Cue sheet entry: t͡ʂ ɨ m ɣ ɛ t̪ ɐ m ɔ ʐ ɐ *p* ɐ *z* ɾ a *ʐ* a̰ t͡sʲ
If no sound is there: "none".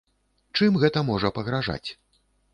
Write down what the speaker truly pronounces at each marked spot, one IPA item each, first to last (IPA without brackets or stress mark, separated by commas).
p, ɣ, ʐ